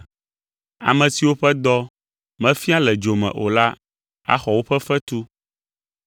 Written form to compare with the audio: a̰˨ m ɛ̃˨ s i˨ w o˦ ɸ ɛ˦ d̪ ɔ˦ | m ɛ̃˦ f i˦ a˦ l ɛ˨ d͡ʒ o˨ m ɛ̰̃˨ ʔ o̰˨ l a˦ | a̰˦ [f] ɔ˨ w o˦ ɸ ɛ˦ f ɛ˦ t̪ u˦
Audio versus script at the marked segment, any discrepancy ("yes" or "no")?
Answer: yes